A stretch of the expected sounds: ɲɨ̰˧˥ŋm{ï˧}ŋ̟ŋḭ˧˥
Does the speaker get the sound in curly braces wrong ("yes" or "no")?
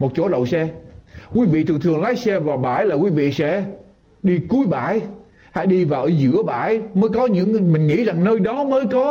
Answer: yes